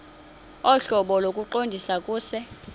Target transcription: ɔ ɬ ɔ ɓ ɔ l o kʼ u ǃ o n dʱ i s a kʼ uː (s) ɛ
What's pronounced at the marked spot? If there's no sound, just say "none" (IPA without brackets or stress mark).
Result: s